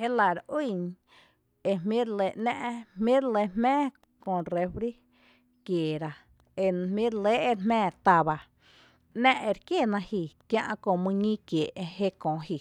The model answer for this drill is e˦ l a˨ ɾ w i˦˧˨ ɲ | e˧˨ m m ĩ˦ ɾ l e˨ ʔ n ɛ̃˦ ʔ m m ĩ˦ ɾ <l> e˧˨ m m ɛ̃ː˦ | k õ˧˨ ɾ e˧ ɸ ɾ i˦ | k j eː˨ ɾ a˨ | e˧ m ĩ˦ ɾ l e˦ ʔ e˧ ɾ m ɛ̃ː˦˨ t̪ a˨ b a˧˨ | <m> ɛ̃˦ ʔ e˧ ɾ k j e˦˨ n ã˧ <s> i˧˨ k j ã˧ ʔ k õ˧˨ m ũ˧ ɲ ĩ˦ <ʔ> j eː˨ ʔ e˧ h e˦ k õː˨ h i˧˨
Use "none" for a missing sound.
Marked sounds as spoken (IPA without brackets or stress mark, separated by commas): l, n, h, k